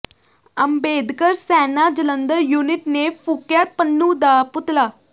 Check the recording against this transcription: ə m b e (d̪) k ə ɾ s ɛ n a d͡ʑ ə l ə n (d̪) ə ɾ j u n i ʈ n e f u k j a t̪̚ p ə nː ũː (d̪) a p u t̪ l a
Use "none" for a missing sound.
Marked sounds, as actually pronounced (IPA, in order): d̪, d̪, d̪

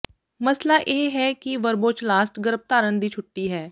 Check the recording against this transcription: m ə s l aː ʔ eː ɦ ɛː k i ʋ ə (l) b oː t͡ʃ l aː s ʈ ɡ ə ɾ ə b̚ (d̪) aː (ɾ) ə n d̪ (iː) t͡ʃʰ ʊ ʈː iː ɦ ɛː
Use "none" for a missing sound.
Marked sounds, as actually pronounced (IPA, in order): ɾ, t̪, ɾ, iː

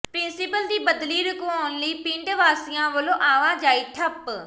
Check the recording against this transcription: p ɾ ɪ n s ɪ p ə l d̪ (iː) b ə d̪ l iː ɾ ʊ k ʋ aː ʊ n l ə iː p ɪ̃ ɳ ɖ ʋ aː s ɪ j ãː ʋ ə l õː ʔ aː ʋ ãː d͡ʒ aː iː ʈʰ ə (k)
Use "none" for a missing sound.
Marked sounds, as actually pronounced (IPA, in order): iː, p

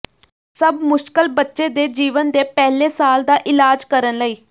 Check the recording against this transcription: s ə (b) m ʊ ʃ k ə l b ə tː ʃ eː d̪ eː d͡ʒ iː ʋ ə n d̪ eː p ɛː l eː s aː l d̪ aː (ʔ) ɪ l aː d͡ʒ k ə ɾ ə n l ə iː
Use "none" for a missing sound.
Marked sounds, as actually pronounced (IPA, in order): b, ʔ

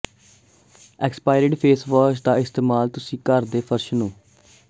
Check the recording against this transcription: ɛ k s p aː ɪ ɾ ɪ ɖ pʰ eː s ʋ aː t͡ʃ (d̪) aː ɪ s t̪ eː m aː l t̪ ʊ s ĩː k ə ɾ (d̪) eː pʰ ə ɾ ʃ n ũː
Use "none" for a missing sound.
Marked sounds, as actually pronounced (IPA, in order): d̪, d̪

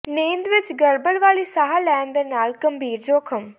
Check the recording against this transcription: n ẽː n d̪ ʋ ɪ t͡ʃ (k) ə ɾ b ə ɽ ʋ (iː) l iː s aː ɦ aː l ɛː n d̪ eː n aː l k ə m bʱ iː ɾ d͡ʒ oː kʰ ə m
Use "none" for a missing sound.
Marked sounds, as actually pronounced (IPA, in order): ɡ, aː

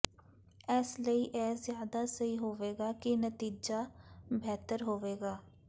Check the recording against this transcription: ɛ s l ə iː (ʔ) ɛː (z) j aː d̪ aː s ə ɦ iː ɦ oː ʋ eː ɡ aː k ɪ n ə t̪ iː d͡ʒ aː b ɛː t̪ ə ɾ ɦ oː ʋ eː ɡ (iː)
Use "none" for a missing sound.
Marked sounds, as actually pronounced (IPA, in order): ʔ, z, aː

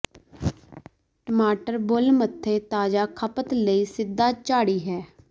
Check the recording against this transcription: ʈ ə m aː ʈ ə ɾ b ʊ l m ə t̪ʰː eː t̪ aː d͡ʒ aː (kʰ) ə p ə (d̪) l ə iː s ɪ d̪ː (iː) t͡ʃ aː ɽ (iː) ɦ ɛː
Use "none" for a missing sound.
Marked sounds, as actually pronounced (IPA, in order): kʰ, t̪, aː, iː

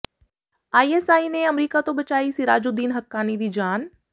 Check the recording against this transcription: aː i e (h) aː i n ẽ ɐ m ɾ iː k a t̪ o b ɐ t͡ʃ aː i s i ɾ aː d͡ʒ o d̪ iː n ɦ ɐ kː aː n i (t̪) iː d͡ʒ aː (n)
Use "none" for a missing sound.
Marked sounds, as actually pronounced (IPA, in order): s, d̪, n

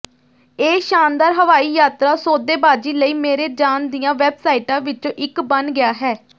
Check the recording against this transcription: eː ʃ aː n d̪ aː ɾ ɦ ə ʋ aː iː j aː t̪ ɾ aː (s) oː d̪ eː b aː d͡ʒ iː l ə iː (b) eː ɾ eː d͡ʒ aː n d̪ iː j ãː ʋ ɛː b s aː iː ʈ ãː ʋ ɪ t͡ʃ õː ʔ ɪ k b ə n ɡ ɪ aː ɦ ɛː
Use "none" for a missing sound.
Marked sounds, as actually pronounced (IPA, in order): s, m

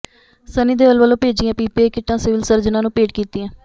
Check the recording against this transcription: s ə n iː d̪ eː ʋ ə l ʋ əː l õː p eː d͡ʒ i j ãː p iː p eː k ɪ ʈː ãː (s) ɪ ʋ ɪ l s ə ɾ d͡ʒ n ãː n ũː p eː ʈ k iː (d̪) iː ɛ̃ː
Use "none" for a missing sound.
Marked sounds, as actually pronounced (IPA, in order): s, t̪

